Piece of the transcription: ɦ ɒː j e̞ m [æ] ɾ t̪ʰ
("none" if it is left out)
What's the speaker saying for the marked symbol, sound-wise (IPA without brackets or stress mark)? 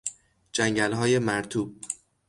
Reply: æ